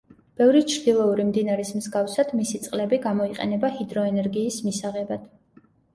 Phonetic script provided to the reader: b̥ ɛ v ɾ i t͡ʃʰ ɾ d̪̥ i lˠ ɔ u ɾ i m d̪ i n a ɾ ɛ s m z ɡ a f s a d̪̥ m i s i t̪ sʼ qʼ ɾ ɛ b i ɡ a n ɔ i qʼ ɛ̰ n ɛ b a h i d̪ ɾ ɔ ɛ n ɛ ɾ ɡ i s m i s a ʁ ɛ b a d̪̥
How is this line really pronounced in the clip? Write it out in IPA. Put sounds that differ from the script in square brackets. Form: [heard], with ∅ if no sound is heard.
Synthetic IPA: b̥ ɛ v ɾ i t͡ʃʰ ɾ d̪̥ i lˠ ɔ u ɾ i m d̪ i n a ɾ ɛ s m z ɡ a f s a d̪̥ m i s i t̪ sʼ qʼ [l] ɛ b i ɡ a [m] ɔ i qʼ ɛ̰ n ɛ b a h i d̪ ɾ ɔ ɛ n ɛ ɾ ɡ [iː] s m i s a ʁ ɛ b a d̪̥